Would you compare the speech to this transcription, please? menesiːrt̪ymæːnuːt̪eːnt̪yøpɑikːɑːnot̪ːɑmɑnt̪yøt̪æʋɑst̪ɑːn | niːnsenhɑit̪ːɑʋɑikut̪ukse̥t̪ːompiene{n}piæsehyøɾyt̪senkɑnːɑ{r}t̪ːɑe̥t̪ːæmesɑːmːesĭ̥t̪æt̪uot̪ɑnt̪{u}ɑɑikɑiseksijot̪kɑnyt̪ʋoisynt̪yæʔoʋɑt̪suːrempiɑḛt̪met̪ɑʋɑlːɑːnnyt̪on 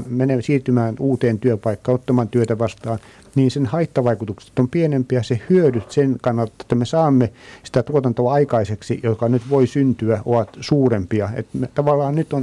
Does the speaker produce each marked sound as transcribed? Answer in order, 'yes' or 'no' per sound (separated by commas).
no, no, no